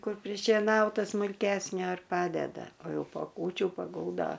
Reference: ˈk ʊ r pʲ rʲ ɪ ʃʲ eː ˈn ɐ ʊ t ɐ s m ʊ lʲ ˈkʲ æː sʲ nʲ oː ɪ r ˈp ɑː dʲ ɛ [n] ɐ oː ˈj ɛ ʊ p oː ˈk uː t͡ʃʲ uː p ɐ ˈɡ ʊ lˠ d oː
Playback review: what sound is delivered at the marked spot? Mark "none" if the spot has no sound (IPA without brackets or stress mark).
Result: d